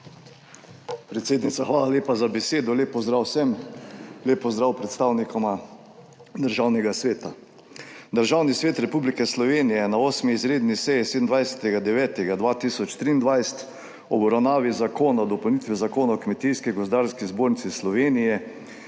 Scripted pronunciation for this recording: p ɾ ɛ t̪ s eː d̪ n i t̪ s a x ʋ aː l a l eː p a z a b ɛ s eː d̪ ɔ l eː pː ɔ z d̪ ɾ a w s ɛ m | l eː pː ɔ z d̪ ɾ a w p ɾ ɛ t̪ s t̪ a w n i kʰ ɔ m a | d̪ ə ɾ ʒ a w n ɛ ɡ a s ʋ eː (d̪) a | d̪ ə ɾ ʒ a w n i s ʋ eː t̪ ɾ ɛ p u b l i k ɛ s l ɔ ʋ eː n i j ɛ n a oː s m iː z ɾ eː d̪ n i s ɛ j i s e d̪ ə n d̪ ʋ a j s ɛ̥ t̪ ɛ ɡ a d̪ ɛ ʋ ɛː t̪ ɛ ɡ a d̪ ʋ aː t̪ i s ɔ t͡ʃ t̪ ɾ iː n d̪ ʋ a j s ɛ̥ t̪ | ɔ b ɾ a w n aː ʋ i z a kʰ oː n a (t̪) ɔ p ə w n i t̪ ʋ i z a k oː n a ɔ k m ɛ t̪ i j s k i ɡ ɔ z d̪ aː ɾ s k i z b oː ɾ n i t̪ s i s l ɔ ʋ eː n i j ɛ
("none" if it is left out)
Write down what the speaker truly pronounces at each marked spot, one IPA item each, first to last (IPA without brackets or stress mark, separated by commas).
t̪, d̪